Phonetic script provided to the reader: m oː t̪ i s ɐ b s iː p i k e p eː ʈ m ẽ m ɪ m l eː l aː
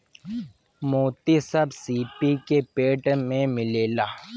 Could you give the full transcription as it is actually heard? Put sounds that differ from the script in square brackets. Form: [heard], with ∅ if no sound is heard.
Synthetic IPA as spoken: m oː t̪ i s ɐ b s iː p i k e p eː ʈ m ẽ m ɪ [∅] l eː l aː

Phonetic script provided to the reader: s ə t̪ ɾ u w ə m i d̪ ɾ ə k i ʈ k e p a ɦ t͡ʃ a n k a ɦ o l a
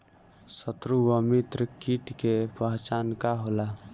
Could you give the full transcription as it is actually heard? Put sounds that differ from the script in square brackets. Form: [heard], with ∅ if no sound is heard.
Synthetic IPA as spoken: s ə t̪ ɾ u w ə m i [t̪] ɾ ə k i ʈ k e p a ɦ t͡ʃ a n k a ɦ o l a

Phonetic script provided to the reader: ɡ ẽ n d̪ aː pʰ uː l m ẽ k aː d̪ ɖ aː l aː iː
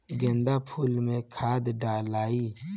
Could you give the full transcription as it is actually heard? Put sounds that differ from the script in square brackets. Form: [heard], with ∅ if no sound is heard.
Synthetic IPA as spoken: ɡ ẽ n d̪ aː pʰ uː l m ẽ [kʰ] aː d̪ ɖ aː l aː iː

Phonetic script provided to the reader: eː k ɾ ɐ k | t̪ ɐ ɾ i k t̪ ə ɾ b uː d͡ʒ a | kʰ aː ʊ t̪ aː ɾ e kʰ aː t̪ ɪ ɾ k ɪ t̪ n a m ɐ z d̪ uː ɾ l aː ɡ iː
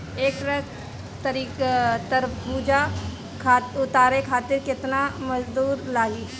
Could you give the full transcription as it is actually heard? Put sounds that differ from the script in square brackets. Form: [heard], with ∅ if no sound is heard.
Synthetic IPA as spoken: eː k ɾ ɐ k | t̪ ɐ ɾ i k t̪ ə ɾ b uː d͡ʒ a | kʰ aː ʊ t̪ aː ɾ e kʰ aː t̪ ɪ ɾ k ɪ t̪ n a m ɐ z d̪ uː ɾ l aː ɡ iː

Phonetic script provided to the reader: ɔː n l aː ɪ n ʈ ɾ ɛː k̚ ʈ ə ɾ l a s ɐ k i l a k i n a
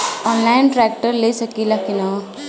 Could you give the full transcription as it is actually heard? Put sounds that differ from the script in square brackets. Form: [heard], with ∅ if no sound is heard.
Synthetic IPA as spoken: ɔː n l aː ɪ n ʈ ɾ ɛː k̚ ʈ ə ɾ l [e] s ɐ k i l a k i n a

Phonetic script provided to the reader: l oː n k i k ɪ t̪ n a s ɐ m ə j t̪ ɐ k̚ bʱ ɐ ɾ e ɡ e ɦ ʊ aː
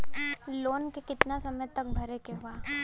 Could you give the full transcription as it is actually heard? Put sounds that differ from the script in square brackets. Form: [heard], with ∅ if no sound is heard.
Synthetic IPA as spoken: l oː n k [e] k ɪ t̪ n a s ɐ m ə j t̪ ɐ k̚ bʱ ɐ ɾ e [k] e ɦ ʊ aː

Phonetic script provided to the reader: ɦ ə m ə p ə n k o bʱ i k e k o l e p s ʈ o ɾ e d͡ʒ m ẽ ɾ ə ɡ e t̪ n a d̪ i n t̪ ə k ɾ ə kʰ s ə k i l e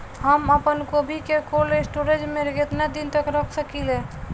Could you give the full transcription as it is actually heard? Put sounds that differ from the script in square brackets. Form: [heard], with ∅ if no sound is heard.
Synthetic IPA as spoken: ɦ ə m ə p ə n k o bʱ i k e k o l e [∅] s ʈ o ɾ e d͡ʒ m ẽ ɾ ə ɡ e t̪ n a d̪ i n t̪ ə k ɾ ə kʰ s ə k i l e

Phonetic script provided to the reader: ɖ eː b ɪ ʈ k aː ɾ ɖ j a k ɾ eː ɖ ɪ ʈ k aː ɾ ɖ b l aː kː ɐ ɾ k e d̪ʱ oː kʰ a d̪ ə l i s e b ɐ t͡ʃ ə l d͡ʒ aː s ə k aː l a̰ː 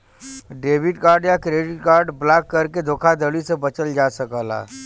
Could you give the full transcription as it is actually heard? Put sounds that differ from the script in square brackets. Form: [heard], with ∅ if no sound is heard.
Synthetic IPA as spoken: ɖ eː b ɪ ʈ k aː ɾ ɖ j a k ɾ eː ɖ ɪ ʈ k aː ɾ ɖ b l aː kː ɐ ɾ k e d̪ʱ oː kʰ a d̪ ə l i s e b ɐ t͡ʃ ə l d͡ʒ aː s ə k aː l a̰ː

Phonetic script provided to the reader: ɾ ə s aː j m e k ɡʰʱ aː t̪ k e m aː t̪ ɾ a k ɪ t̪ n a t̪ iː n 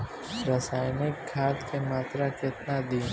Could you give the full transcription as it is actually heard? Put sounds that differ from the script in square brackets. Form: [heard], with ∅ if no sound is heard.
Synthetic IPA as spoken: ɾ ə s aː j [n] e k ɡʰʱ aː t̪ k e m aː t̪ ɾ a k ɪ t̪ n a [d̪] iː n

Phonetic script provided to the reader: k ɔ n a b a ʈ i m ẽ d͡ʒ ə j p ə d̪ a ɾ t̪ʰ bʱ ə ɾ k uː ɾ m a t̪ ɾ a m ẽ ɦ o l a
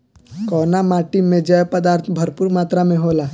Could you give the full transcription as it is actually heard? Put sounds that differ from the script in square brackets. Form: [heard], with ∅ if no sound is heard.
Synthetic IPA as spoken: k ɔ n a [m] a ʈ i m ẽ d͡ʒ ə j p ə d̪ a ɾ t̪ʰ bʱ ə ɾ [p] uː ɾ m a t̪ ɾ a m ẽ ɦ o l a

